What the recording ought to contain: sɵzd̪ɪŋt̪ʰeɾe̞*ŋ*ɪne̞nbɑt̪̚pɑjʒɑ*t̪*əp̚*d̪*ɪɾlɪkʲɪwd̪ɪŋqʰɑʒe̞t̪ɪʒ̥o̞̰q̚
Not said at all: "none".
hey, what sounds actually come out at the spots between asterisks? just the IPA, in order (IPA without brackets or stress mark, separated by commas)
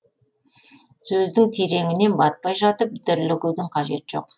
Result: ŋ, t̪, d̪